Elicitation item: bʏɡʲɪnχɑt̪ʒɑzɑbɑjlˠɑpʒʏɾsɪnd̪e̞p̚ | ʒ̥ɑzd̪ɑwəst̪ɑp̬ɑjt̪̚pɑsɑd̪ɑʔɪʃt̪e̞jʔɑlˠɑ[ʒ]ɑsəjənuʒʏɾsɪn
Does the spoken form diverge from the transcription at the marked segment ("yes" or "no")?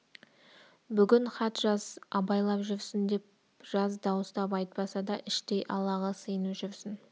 yes